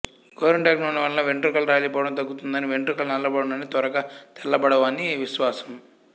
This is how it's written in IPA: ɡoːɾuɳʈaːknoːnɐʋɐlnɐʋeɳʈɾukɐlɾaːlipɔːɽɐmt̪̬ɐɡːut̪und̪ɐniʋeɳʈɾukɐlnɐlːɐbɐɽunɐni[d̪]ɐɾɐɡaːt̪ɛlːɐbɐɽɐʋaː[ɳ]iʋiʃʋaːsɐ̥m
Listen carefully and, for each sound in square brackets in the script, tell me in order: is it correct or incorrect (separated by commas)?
incorrect, incorrect